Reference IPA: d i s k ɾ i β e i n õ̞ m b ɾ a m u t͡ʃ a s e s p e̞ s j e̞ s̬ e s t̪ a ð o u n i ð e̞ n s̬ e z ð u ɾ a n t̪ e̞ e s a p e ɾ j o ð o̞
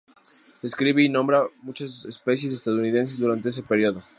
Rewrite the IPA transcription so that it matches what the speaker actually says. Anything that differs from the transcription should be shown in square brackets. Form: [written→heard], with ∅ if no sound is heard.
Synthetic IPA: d [i→e] s k ɾ i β e i n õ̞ m b ɾ a m u t͡ʃ a s e s p e̞ s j e̞ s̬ e s t̪ a ð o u n i ð e̞ n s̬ e z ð u ɾ a n t̪ e̞ e s [a→e] p e ɾ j o ð o̞